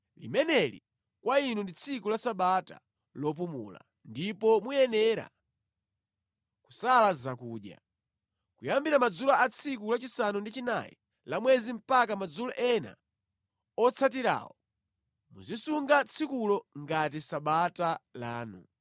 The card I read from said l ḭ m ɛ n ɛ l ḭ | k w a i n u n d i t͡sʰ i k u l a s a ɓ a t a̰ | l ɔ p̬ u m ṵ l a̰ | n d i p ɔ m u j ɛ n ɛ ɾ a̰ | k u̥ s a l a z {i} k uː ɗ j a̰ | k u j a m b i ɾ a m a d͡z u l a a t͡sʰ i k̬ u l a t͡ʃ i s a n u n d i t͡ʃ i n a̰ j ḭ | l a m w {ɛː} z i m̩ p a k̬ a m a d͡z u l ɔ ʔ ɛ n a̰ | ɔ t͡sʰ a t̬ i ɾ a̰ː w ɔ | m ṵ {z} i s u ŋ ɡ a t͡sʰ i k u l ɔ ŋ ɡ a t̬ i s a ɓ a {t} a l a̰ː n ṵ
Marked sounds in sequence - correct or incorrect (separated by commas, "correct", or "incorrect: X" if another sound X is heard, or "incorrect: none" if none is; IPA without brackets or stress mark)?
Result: incorrect: a, incorrect: ɛ, correct, correct